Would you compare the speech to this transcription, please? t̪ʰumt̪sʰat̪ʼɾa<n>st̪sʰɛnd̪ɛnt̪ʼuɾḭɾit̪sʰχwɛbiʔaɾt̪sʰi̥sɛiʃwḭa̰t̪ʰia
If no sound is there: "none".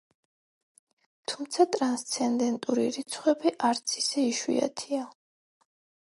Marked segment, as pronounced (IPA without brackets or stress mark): n